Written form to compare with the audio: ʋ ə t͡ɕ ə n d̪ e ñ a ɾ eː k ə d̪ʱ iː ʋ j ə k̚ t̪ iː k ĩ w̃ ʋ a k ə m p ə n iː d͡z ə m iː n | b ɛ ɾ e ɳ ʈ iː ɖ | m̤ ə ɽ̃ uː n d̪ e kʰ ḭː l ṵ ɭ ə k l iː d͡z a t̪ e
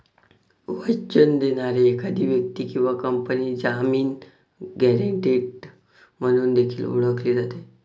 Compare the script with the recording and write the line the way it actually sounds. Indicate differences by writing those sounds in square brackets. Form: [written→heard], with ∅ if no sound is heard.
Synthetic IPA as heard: ʋ ə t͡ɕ ə n d̪ e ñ a ɾ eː k [ə→a] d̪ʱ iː ʋ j ə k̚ t̪ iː k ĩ w̃ ʋ a k ə m p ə n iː d͡z [ə→a] m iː n | [b→ɡ] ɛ ɾ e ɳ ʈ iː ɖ | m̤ ə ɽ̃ uː n d̪ e kʰ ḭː l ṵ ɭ ə k l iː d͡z a t̪ e